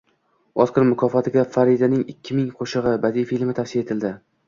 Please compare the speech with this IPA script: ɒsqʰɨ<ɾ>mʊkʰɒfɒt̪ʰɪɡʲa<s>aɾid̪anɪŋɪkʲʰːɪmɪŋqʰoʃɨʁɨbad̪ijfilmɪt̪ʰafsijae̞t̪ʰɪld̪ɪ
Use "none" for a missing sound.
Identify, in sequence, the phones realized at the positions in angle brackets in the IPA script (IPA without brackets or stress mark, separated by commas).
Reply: ɾ, f